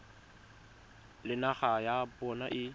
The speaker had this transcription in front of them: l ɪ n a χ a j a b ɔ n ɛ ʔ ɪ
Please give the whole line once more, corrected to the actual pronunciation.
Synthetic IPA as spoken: l ɪ n a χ a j a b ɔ n a ʔ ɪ